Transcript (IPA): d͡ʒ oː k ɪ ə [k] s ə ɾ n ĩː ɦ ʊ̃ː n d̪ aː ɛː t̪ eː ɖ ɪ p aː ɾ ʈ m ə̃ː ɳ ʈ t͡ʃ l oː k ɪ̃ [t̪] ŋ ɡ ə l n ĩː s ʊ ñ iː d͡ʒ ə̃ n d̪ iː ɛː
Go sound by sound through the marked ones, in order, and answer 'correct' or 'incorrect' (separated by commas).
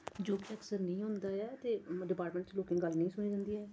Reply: correct, incorrect